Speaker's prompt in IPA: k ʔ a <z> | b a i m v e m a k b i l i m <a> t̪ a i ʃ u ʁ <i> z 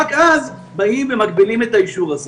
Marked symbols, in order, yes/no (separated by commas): yes, no, no